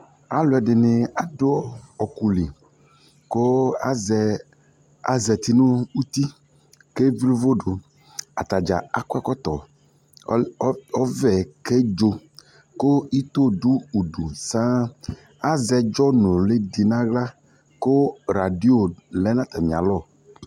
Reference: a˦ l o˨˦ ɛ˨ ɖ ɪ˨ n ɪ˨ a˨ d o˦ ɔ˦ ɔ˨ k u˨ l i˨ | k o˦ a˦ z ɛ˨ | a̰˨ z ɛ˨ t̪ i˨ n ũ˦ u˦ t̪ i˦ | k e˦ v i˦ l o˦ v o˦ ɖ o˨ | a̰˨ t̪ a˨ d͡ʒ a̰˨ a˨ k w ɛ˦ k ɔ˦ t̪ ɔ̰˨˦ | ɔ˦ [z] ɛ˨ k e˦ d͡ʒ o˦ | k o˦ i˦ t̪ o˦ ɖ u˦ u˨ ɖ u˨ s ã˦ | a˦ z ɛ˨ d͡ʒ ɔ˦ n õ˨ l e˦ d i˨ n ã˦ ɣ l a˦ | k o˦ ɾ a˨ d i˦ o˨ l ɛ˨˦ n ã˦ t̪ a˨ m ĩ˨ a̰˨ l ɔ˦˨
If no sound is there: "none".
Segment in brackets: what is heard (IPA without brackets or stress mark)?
v